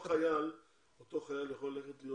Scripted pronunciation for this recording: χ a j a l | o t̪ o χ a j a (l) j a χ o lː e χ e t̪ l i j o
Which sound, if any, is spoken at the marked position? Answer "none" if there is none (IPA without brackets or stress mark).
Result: l